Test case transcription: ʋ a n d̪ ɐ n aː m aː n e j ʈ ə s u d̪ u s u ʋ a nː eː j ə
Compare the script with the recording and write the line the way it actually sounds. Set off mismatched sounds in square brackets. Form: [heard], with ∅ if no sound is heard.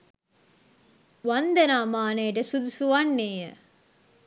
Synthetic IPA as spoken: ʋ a n d̪ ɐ n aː m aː n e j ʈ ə s u d̪ u s u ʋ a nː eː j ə